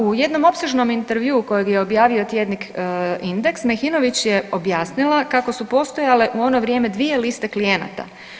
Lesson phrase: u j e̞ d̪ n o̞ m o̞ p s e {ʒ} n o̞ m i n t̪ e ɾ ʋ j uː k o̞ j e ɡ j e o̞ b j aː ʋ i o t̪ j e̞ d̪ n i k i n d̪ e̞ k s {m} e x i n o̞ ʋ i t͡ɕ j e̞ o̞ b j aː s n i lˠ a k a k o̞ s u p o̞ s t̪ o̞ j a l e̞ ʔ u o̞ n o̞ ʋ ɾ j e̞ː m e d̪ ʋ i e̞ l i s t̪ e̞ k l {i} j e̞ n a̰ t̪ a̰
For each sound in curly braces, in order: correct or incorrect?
correct, correct, correct

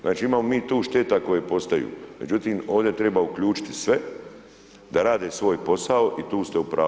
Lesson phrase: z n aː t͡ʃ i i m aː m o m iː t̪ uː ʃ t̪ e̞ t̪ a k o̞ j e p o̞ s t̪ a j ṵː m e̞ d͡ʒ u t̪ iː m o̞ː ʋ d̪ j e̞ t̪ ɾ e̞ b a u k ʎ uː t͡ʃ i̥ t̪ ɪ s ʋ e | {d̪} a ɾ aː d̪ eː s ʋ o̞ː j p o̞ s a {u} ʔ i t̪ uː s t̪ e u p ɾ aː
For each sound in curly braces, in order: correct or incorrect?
correct, incorrect: o

